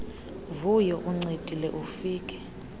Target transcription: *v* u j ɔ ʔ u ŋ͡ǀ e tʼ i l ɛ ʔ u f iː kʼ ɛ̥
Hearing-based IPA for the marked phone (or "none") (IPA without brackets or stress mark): v